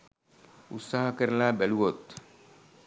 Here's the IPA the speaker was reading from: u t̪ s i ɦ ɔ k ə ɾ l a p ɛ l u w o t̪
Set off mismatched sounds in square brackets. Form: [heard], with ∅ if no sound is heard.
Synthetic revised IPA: u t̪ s [a] ɦ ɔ k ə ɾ l a [b] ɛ l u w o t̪